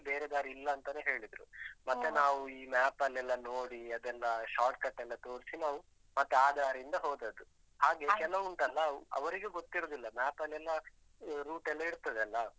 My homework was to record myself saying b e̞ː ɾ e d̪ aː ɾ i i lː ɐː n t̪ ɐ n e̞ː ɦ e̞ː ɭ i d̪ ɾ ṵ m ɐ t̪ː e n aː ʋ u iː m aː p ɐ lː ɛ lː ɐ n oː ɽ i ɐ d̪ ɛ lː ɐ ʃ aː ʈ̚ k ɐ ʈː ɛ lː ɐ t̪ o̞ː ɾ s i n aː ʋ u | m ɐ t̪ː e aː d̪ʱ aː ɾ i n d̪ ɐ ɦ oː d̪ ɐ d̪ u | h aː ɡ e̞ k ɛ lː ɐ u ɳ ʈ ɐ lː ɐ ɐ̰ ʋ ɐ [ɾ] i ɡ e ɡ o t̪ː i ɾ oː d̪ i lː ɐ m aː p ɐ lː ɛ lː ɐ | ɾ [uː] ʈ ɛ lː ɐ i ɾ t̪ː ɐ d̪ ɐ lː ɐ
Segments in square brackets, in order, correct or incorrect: correct, correct

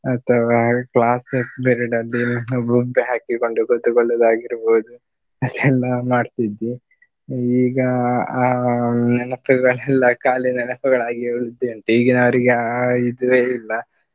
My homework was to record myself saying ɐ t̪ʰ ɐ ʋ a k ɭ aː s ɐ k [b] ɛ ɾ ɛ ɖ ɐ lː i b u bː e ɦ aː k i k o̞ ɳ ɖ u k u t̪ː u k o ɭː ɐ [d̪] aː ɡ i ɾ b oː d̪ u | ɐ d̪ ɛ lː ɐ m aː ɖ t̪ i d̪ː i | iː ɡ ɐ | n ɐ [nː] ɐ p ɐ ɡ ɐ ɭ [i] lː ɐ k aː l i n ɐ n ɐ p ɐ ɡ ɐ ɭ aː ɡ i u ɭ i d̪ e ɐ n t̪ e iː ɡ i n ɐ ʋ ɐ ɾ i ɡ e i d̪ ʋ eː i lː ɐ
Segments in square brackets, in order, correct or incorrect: correct, correct, incorrect: n, incorrect: ɛ

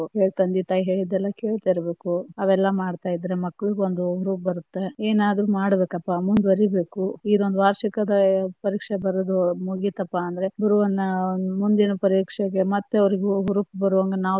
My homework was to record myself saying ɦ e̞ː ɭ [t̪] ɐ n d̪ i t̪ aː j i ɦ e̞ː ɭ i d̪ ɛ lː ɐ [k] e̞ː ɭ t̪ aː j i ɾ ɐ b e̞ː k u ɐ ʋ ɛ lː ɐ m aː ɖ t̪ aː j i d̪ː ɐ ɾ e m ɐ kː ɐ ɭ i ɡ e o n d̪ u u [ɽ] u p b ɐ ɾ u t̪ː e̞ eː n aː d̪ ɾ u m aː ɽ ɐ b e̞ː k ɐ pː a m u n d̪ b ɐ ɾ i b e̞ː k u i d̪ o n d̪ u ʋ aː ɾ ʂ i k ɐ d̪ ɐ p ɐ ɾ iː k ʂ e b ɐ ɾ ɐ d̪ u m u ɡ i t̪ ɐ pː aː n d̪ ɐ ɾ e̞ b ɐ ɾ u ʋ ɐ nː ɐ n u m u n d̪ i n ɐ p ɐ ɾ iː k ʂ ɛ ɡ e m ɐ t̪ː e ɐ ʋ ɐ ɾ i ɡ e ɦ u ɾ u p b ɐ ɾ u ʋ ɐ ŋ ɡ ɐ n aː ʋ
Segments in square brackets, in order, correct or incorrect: correct, correct, incorrect: ɾ

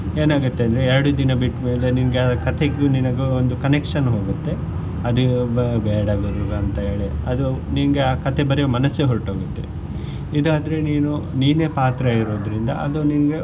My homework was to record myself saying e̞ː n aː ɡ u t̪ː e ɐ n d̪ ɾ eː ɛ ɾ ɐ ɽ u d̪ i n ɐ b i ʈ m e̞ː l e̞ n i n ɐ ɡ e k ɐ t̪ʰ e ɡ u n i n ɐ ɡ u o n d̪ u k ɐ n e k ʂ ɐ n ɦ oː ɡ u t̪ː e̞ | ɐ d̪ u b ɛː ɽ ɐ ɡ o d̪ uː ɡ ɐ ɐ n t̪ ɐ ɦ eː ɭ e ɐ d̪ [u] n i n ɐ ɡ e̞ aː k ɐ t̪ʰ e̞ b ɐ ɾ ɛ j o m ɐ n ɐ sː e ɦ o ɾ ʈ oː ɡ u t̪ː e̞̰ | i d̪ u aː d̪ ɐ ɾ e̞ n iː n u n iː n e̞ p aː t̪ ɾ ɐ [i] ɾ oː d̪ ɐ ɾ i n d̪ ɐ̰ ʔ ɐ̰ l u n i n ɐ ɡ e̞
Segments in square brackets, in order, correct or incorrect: correct, correct

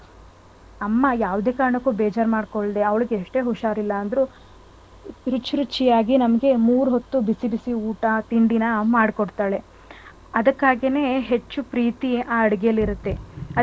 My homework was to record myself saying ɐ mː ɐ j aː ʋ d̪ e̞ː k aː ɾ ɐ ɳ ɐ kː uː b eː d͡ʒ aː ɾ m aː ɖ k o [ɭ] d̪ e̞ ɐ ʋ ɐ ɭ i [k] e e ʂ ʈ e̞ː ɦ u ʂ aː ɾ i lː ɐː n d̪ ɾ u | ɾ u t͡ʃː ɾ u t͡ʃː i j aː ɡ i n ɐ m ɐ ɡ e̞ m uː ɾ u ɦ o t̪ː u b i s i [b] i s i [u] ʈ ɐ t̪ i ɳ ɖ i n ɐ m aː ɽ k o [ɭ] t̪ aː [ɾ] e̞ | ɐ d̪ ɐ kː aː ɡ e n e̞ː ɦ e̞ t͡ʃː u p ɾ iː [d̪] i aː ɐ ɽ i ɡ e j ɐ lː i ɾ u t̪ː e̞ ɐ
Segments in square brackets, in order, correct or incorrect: correct, incorrect: ɡ, correct, incorrect: uː, incorrect: ɽ, incorrect: ɭ, incorrect: t̪

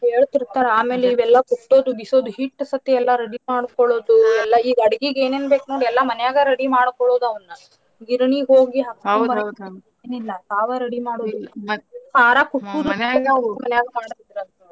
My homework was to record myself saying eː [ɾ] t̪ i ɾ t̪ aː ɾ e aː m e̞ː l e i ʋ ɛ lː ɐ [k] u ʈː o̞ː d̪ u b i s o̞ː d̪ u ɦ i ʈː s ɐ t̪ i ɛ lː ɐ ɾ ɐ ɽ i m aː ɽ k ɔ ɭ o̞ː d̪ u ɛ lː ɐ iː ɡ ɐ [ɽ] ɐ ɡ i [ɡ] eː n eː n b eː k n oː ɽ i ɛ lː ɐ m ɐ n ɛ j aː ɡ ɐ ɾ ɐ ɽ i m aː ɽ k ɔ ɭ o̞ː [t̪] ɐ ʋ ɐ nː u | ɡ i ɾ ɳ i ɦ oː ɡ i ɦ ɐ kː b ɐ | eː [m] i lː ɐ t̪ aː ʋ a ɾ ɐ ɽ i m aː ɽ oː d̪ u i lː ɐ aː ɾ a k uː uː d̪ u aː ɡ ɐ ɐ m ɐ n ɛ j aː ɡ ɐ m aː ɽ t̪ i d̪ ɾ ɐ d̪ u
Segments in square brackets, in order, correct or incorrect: incorrect: ɭ, correct, correct, correct, incorrect: d̪, incorrect: n

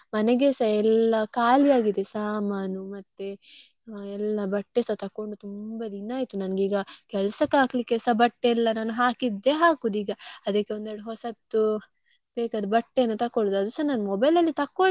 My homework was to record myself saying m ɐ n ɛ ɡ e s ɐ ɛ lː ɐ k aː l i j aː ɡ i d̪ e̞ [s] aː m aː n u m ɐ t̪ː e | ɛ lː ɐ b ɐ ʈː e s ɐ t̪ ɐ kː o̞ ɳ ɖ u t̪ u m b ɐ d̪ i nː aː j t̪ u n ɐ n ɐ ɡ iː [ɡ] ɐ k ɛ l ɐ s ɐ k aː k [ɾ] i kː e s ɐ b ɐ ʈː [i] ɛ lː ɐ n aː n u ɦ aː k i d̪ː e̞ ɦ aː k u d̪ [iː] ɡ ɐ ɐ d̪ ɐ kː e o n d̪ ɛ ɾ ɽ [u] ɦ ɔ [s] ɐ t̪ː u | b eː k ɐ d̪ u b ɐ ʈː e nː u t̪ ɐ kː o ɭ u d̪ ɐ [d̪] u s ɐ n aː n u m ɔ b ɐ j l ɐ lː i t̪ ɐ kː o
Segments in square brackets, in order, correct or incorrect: correct, correct, incorrect: l, incorrect: e, correct, correct, correct, correct

